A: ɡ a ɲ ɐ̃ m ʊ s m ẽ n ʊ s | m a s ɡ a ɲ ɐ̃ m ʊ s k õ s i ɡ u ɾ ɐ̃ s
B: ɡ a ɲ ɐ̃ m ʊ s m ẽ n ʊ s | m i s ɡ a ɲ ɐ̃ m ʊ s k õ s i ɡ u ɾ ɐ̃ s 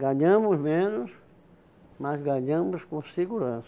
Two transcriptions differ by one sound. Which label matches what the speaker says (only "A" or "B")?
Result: A